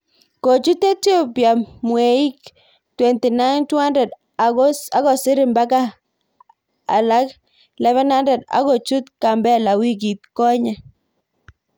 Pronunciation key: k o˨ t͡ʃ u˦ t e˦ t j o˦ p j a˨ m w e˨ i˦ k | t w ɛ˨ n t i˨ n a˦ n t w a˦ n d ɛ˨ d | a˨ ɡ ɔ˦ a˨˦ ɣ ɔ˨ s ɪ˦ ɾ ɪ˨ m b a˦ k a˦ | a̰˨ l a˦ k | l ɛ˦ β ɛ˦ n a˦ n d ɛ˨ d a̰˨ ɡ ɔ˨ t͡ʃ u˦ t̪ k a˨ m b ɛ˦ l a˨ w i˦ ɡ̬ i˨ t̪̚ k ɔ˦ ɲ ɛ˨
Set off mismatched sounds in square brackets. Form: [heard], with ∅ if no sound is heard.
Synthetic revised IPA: k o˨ t͡ʃ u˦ t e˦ t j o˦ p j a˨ m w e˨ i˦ k | t w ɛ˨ n t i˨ n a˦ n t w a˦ n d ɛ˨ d | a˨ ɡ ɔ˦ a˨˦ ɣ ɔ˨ s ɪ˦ ɾ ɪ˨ m b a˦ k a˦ | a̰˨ l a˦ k | l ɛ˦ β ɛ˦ n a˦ n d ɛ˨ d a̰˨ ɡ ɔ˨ t͡ʃ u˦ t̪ k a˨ m b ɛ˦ l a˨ w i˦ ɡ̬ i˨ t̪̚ k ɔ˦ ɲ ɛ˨